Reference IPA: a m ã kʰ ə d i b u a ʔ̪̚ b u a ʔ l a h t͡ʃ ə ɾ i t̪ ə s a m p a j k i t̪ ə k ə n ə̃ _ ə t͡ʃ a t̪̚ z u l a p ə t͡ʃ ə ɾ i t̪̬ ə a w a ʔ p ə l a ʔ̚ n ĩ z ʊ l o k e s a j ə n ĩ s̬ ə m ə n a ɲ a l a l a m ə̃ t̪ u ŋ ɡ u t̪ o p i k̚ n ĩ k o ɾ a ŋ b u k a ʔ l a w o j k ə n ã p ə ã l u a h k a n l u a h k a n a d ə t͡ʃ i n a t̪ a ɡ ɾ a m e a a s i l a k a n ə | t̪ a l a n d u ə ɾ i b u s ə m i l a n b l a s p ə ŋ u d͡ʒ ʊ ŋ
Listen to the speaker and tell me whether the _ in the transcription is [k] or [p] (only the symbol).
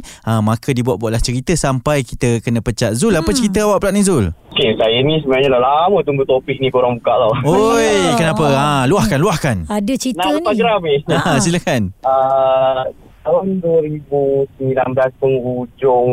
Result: p